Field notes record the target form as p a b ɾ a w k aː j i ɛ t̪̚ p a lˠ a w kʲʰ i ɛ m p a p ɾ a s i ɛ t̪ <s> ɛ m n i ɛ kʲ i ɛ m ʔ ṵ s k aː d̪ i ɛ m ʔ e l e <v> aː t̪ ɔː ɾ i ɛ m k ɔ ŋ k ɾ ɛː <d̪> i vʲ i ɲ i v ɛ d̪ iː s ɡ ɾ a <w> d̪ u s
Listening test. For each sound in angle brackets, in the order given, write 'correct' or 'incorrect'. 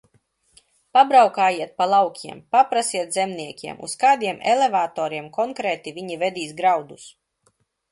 incorrect, correct, incorrect, correct

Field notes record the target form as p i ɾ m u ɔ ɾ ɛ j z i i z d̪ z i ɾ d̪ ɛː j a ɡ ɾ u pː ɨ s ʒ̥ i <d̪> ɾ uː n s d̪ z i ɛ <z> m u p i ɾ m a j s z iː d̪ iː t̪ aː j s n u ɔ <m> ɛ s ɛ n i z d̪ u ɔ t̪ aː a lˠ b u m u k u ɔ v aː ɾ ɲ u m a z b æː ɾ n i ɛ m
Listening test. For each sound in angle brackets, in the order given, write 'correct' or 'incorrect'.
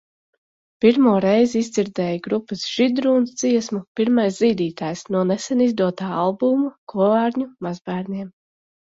correct, incorrect, incorrect

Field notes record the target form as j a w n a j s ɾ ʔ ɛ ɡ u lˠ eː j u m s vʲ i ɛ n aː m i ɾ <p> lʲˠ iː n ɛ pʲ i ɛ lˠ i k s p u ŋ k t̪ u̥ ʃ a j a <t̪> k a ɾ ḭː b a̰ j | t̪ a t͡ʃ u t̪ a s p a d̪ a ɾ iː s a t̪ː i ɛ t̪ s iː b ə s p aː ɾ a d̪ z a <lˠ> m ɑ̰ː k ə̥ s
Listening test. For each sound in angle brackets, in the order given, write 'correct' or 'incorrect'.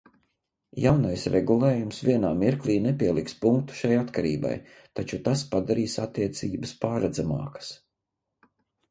incorrect, correct, incorrect

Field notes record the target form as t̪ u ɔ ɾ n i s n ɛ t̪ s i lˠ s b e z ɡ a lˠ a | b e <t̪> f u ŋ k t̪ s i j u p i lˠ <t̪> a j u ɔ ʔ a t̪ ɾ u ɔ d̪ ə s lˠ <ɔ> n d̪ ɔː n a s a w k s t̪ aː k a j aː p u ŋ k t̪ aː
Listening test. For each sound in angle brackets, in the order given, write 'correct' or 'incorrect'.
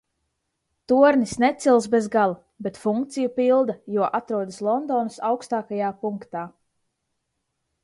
correct, incorrect, correct

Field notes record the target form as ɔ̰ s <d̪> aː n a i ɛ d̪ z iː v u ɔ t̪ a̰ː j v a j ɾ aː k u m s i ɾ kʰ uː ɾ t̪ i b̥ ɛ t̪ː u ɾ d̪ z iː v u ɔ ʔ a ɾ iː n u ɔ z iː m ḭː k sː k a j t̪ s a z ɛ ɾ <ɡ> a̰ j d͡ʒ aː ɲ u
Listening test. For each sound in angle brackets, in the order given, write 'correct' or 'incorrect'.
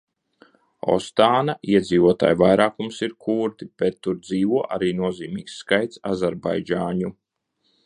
incorrect, incorrect

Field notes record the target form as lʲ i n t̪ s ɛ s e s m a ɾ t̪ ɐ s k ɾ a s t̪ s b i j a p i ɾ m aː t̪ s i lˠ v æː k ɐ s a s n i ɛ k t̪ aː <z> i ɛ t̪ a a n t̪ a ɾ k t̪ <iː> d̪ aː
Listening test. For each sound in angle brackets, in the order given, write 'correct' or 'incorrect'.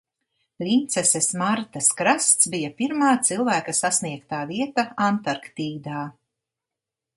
incorrect, correct

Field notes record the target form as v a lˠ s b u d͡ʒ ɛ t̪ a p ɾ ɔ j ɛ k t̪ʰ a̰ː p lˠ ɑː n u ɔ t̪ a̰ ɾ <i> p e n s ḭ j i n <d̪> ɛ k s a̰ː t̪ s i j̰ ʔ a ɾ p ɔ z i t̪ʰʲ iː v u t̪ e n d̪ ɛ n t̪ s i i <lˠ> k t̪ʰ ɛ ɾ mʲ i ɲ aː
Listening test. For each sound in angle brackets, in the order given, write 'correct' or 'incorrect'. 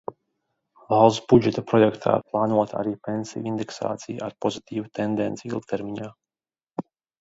incorrect, correct, correct

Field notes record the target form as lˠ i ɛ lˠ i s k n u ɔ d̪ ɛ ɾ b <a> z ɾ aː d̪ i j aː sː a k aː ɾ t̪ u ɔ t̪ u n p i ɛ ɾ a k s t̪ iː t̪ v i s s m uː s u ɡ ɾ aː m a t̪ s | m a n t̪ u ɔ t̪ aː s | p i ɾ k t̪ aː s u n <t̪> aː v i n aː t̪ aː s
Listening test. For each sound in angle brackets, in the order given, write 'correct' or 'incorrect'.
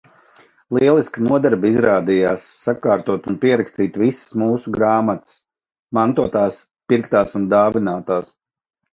incorrect, incorrect

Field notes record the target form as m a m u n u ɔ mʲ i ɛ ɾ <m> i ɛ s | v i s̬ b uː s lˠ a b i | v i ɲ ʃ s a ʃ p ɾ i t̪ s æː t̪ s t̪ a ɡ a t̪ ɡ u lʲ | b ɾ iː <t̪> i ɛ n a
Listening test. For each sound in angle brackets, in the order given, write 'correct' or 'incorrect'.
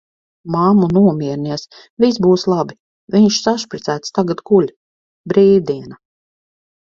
incorrect, incorrect

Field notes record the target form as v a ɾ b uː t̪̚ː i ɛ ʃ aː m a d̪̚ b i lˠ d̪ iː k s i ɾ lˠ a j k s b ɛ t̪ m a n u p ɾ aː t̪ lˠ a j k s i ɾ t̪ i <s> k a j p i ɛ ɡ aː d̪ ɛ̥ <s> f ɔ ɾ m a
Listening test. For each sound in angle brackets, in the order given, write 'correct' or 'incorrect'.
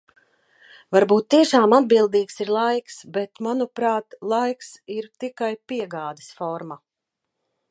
incorrect, correct

